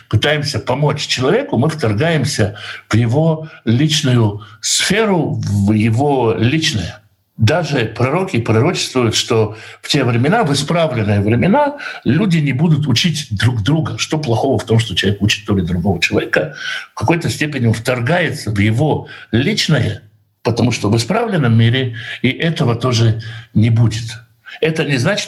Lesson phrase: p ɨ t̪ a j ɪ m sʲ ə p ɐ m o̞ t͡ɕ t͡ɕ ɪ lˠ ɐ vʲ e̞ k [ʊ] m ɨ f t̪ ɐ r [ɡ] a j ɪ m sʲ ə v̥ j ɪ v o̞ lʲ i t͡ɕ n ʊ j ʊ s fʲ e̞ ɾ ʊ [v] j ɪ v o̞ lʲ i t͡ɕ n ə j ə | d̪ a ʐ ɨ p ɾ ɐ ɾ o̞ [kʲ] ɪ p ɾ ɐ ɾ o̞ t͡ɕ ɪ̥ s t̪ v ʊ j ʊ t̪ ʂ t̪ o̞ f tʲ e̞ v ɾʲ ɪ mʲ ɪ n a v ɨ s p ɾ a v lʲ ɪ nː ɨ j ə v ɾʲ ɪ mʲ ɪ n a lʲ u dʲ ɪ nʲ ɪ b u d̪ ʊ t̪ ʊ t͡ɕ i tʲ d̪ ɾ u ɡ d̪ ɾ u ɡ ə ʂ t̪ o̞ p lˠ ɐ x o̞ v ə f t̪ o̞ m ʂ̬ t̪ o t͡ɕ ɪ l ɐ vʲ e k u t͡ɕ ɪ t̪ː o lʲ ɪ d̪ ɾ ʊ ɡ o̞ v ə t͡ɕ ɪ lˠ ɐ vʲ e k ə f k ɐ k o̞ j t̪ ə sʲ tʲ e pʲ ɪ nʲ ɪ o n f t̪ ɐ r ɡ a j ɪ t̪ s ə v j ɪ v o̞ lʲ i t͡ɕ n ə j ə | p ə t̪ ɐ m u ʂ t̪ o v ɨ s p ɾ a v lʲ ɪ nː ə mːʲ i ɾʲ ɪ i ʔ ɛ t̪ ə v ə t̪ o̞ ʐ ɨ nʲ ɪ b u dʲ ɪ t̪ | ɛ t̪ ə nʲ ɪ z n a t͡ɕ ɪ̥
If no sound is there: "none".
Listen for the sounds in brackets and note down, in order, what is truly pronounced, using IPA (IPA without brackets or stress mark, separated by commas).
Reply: ʊ, ɡ, v, kʲ